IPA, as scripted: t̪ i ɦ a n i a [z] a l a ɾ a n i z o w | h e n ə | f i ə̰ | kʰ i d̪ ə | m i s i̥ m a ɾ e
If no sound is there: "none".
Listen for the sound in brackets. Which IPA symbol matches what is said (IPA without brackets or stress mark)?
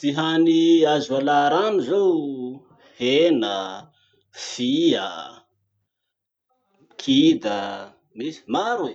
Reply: z